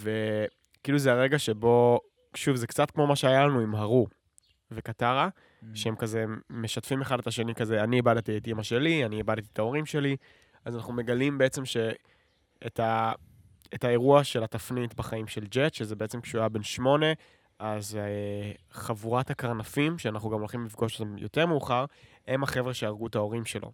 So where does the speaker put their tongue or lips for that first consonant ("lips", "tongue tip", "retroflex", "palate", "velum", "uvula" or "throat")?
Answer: lips